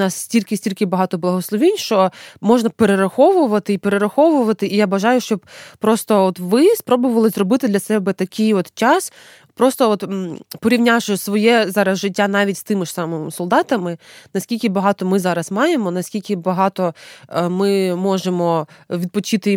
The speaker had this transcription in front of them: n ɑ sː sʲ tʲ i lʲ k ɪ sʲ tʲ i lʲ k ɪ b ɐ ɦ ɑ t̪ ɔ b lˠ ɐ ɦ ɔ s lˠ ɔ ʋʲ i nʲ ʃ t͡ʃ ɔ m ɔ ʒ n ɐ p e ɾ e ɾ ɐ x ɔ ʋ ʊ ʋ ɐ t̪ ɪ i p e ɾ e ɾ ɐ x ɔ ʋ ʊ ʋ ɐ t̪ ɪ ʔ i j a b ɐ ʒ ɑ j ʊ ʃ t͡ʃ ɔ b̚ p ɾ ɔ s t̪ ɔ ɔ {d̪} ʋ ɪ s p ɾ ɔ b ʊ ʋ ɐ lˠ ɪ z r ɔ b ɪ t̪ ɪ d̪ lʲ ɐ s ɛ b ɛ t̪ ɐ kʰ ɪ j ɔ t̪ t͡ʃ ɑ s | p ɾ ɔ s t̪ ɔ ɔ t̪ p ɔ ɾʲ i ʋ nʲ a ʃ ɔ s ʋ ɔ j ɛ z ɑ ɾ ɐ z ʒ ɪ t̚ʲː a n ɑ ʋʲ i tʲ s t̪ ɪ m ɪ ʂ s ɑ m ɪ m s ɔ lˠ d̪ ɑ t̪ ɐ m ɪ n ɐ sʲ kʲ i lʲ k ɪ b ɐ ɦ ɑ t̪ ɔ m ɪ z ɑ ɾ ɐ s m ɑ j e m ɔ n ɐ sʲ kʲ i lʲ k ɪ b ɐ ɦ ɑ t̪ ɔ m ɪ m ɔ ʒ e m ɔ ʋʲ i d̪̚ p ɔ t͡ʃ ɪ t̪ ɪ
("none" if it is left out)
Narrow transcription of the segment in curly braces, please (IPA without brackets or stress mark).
t̪